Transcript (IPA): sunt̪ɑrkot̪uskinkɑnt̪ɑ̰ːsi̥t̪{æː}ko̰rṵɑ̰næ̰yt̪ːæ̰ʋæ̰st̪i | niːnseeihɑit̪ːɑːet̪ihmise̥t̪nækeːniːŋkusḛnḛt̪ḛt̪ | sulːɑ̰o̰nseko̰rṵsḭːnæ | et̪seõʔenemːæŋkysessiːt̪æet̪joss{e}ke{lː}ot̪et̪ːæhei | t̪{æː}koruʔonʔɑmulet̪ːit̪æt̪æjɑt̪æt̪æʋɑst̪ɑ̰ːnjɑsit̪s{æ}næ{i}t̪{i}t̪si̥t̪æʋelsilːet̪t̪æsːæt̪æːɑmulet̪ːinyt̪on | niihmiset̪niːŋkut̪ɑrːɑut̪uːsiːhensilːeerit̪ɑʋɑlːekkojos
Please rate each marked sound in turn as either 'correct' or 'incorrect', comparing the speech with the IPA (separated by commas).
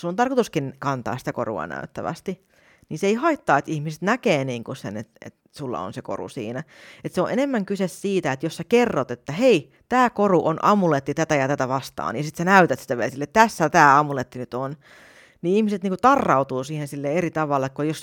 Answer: incorrect, incorrect, incorrect, correct, correct, incorrect, incorrect